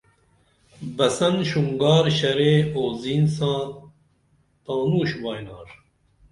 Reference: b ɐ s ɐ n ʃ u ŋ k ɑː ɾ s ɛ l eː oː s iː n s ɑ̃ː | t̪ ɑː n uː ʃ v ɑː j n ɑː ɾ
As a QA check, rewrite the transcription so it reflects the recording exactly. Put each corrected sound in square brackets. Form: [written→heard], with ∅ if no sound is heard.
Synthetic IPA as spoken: b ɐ s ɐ n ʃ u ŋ [k→ɡ] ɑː ɾ [s→ʃ] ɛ [l→ɾ] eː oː [s→z] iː n s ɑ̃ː | t̪ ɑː n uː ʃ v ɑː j n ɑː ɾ